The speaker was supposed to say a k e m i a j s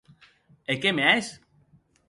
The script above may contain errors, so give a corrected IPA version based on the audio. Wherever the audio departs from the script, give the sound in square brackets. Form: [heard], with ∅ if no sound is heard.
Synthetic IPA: [e] k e m [e] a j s